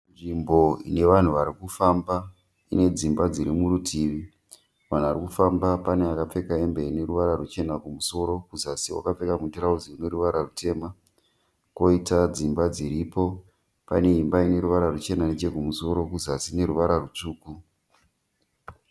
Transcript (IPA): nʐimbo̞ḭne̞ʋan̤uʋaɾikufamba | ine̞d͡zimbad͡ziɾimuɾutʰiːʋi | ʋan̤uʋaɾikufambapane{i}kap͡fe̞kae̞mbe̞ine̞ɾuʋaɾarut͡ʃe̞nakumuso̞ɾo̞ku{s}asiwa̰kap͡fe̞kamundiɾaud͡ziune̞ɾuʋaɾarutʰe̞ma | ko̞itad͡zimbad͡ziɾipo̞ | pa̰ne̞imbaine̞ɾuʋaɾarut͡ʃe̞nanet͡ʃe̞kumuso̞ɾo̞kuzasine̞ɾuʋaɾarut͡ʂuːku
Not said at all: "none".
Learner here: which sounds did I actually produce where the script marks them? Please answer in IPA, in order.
a, z

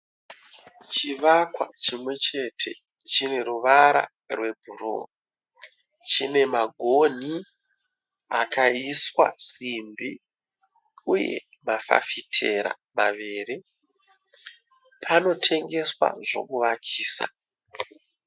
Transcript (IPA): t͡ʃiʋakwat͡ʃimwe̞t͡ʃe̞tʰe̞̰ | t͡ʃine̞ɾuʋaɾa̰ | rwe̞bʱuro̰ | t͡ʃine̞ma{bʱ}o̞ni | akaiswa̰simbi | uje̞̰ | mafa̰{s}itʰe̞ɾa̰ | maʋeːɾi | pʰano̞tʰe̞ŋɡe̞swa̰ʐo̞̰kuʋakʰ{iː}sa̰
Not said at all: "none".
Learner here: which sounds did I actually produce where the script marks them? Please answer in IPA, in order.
ɡʱ, f, iː

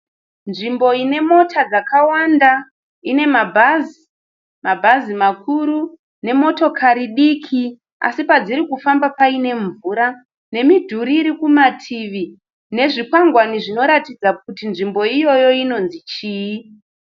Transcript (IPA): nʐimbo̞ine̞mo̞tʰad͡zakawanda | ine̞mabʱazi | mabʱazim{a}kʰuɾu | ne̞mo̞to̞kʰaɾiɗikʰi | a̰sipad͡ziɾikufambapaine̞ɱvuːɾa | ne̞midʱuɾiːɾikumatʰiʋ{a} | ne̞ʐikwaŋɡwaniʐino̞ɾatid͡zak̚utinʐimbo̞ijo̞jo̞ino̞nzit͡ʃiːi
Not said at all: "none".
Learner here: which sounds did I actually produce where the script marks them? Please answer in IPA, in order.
a, i

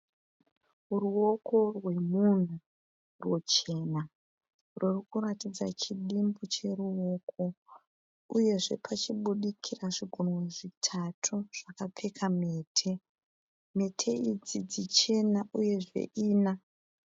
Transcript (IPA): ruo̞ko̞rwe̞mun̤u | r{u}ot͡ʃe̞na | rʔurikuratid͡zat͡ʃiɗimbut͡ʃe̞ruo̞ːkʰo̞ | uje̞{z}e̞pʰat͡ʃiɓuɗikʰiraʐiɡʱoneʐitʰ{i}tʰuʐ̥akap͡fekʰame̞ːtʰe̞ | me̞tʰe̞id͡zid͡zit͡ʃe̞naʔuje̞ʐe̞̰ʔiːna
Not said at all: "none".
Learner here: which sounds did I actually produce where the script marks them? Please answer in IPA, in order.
w, ʐ, a

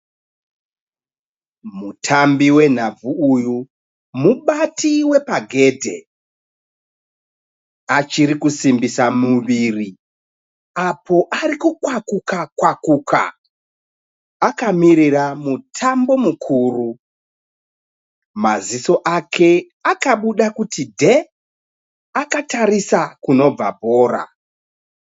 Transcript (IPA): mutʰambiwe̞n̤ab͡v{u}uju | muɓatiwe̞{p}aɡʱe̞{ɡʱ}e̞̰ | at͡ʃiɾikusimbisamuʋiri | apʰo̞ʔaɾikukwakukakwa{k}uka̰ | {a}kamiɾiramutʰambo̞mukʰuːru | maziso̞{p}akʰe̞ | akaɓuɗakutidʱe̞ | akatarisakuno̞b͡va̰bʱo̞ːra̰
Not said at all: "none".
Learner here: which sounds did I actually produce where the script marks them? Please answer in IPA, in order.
u, p, dʱ, k, a, ʔ

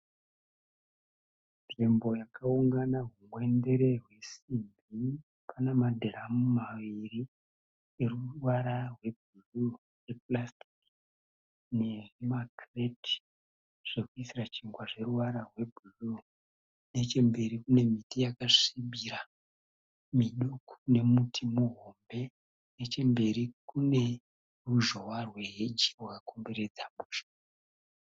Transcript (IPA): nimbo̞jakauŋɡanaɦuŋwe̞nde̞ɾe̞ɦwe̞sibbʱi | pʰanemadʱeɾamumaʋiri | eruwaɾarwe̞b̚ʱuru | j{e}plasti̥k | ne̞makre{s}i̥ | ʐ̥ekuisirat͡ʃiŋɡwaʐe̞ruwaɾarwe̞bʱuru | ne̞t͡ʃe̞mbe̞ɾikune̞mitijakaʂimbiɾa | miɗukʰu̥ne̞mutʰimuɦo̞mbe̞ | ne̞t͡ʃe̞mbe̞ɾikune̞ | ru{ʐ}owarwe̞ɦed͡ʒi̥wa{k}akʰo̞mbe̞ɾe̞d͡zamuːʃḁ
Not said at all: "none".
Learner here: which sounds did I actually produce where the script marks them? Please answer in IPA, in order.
e, t, ʒ, k

